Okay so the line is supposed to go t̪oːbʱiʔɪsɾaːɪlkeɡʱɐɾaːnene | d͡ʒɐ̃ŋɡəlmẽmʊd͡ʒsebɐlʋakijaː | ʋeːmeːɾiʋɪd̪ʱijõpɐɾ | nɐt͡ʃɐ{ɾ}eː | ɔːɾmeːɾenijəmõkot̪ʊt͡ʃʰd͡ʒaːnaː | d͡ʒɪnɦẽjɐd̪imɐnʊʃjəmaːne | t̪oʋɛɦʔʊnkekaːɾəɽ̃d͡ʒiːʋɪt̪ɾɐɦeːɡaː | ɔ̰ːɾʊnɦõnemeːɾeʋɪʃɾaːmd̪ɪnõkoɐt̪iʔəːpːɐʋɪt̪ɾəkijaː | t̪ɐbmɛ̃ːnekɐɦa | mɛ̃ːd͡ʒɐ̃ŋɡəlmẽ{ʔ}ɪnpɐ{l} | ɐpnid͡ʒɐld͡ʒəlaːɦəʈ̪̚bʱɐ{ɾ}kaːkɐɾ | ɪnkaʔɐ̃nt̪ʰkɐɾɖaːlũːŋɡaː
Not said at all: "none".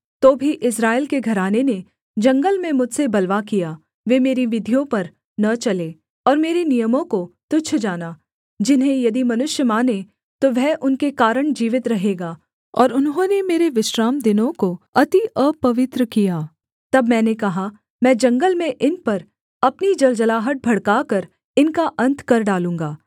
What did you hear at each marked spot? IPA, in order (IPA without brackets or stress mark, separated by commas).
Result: l, ʔ, ɾ, ɽ